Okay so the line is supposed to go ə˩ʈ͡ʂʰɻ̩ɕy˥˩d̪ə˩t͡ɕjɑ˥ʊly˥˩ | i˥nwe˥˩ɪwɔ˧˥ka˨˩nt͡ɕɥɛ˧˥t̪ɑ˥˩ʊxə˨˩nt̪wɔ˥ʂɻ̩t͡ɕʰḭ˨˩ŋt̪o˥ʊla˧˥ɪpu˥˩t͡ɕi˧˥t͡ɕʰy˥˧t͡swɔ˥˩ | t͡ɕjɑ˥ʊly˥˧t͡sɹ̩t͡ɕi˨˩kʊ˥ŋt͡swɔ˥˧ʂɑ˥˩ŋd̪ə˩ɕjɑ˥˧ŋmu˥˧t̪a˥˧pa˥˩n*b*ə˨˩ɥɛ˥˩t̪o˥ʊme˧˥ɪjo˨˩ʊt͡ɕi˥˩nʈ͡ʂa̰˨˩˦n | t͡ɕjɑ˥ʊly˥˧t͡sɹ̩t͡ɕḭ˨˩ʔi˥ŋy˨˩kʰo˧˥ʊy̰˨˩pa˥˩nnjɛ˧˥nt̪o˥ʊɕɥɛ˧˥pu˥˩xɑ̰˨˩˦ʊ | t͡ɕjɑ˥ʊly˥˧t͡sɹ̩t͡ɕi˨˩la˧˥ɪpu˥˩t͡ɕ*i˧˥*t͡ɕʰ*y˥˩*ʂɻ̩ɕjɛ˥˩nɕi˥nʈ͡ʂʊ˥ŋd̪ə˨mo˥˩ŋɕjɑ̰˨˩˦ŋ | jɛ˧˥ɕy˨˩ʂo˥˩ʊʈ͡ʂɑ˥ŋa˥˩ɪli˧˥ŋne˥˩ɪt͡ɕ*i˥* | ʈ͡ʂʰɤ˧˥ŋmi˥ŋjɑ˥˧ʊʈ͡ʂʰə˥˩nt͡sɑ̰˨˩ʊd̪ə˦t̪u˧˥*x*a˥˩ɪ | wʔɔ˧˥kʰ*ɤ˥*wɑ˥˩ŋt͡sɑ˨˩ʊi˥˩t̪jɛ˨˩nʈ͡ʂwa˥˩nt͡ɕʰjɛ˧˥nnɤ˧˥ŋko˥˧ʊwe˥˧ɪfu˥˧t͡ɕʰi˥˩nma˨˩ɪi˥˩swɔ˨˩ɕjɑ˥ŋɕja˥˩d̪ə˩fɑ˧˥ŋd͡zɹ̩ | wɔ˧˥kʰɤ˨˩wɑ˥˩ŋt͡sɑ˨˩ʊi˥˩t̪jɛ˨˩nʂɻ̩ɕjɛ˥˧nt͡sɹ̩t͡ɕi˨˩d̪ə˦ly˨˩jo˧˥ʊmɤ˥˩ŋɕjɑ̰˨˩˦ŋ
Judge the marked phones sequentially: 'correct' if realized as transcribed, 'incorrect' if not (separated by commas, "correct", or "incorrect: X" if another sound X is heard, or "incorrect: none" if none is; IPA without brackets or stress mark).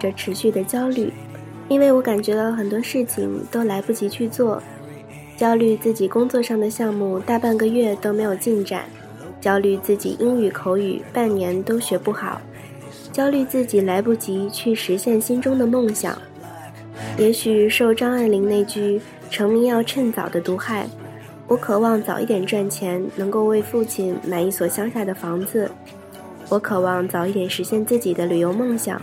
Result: incorrect: ɡ, correct, correct, incorrect: y˥, correct, incorrect: ɤ˨˩